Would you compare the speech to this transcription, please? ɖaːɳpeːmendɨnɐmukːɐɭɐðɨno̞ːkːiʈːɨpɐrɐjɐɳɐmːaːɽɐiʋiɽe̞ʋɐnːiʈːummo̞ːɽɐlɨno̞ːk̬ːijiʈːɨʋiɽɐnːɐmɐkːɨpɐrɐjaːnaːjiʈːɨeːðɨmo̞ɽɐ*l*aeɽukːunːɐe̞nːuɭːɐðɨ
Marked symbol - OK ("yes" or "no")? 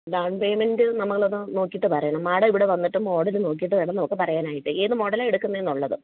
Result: yes